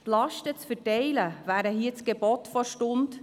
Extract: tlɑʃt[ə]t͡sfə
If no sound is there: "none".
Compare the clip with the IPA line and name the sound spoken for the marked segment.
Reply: ə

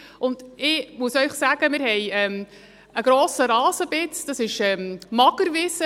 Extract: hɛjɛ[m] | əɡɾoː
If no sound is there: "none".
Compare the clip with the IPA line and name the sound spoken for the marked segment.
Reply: m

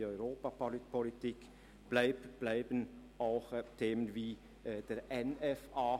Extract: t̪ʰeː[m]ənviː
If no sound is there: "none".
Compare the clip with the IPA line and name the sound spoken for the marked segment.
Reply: m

